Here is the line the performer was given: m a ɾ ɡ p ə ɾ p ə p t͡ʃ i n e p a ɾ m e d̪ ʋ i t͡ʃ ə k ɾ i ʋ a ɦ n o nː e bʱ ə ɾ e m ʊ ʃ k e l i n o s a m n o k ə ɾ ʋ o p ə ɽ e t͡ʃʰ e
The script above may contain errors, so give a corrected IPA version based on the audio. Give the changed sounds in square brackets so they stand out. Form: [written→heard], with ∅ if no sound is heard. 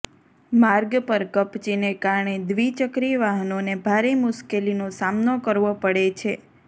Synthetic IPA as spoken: m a ɾ ɡ p ə ɾ [p→k] ə p t͡ʃ i n e [p→k] a ɾ [m→ɳ] e d̪ ʋ i t͡ʃ ə k ɾ i ʋ a ɦ n o [nː→n] e bʱ [ə→a] ɾ e m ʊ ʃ k e l i n o s a m n o k ə ɾ ʋ o p ə ɽ e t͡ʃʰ e